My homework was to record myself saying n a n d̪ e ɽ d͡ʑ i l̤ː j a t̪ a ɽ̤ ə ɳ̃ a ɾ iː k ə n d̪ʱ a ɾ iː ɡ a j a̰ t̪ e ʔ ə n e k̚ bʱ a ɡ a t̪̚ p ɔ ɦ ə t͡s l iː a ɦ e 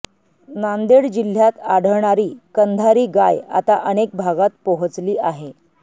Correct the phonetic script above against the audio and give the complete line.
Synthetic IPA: n a n d̪ e ɽ d͡ʑ i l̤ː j a t̪ a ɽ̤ ə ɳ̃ a ɾ iː k ə n d̪ʱ a ɾ iː ɡ a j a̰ t̪ a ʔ ə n e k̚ bʱ a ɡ a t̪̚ p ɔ ɦ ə t͡s l iː a ɦ e